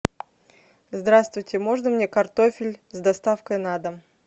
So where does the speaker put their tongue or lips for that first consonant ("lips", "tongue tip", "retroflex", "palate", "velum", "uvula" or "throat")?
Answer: tongue tip